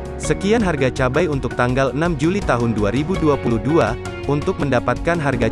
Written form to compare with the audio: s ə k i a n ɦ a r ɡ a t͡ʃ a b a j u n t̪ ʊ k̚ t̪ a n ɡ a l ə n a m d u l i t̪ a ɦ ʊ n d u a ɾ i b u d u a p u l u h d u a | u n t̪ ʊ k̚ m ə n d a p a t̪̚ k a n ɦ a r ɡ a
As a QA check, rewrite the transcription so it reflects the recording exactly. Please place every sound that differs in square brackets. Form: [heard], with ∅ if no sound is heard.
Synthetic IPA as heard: s ə k i a n ɦ a r ɡ a t͡ʃ a b a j u n t̪ ʊ k̚ t̪ a [ŋ] ɡ a l ə n a m [d͡ʒ] u l i t̪ a ɦ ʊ n d u a ɾ i b u d u a p u l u h d u a | u n t̪ ʊ k̚ m ə n d a p a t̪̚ k a n ɦ a r ɡ a